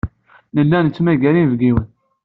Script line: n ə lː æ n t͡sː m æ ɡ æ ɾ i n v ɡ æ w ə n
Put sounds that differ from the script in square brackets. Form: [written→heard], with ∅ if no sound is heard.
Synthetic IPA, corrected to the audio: n ə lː æ n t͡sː m æ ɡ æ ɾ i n v ɡ [æ→i] w ə n

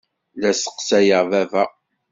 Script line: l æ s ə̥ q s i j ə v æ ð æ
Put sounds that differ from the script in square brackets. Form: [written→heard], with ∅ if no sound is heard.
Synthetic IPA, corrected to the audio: l æ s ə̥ q s [i→æ] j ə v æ [ð→v] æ

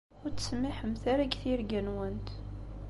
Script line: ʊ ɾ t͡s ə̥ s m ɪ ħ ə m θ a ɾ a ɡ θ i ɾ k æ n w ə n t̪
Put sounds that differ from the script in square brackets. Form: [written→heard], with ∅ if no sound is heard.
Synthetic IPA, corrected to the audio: ʊ ɾ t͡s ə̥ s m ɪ ħ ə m θ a ɾ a ɡ θ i ɾ [k→ɡ] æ n w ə n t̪

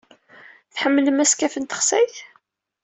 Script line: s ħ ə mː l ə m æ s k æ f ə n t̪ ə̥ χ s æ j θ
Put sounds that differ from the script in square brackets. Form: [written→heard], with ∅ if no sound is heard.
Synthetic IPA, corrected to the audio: [s→θ] ħ ə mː l ə m æ s k æ f ə n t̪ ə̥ χ s æ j θ

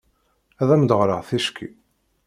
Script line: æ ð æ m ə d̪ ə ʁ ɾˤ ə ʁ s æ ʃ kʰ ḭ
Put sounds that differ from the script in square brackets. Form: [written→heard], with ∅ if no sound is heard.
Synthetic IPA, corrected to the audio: æ ð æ m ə d̪ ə ʁ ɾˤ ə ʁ [s→θ] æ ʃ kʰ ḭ

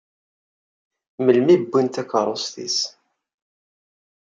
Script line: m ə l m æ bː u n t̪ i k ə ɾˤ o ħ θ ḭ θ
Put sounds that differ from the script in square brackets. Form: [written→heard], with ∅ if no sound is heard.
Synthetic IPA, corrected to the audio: m ə l m [æ→i] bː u n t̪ [i→æ] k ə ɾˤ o [ħ→s] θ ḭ [θ→s]

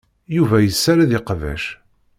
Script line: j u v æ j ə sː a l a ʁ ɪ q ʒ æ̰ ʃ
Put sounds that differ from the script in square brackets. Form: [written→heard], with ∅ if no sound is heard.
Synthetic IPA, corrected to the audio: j u v æ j ə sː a [l→ɾ] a [ʁ→ð] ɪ q [ʒ→v] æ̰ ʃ

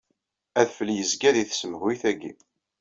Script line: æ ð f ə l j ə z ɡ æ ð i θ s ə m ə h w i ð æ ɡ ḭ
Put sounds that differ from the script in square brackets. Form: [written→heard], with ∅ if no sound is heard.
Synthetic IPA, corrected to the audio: æ ð f ə l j ə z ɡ æ ð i θ s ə m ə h w i [ð→θ] æ ɡ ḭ

